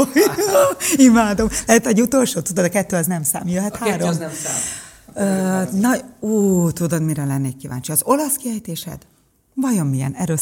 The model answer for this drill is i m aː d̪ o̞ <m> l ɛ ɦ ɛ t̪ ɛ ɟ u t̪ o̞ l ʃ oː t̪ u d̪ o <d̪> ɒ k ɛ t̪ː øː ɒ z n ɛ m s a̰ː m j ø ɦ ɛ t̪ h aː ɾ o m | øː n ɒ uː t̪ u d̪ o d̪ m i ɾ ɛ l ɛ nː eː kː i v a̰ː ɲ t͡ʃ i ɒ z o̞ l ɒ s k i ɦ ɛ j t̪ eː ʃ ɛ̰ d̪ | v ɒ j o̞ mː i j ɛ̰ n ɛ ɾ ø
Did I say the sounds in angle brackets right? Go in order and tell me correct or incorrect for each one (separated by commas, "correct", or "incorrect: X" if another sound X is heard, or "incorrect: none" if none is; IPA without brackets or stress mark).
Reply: correct, correct